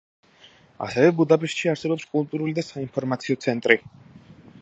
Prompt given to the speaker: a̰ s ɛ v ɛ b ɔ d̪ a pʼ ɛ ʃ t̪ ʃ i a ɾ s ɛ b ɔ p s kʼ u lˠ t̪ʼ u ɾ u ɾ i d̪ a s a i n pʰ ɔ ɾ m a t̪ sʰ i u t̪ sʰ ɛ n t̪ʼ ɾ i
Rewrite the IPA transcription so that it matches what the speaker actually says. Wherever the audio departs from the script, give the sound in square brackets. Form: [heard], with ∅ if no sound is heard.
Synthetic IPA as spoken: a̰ s ɛ v ɛ b [u] d̪ a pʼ ɛ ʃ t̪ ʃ i a ɾ s ɛ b ɔ p s kʼ u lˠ t̪ʼ u ɾ u [l] i d̪ a s a i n pʰ ɔ ɾ m a t̪ sʰ i [ɔ] t̪ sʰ ɛ n t̪ʼ ɾ i